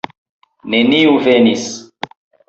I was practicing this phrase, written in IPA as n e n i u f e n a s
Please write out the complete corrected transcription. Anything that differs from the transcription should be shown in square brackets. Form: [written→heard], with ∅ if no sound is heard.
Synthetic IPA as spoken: n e n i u [f→v] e n [a→i] s